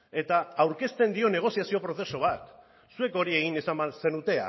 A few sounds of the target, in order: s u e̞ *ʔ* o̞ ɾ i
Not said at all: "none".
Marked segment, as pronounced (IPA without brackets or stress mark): k